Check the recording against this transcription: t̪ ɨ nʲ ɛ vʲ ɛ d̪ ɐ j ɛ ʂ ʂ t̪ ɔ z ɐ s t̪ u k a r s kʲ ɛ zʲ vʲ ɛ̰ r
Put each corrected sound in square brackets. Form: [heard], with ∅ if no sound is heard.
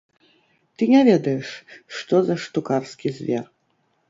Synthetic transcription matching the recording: t̪ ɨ nʲ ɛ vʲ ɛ d̪ ɐ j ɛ ʂ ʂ t̪ ɔ z ɐ [ʂ] t̪ u k a r s kʲ [i] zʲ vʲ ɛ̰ r